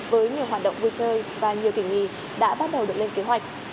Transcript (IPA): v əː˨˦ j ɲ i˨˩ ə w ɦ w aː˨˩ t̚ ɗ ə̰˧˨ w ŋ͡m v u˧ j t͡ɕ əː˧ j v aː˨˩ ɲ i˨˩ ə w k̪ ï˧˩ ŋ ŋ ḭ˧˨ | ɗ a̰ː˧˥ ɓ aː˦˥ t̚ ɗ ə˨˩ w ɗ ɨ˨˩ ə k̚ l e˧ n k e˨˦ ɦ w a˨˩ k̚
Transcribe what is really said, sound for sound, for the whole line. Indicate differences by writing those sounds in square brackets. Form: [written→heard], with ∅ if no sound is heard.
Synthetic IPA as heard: v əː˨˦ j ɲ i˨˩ ə w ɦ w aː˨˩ t̚ ɗ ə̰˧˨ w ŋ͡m v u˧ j t͡ɕ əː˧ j v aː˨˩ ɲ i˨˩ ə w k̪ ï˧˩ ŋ ŋ ḭ˧˨ | ɗ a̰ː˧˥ ɓ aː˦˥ t̚ ɗ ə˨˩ w ɗ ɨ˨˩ ə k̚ l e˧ n k e˨˦ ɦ w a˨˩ k̚